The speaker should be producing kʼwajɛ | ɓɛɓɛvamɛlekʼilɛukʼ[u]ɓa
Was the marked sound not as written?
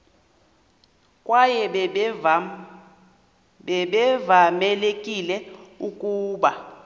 yes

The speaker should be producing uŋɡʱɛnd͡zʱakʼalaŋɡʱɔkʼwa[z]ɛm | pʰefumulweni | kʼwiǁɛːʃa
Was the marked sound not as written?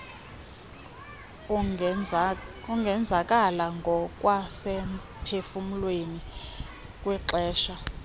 yes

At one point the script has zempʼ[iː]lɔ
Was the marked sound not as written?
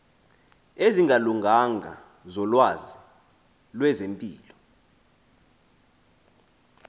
no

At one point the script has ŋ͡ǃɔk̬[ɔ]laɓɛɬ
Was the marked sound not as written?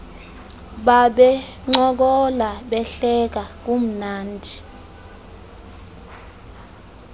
no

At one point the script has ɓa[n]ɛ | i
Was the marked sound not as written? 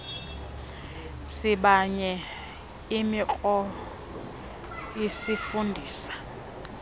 yes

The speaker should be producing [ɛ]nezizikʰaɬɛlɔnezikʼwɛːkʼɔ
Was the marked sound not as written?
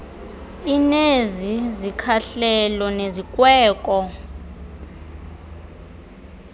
yes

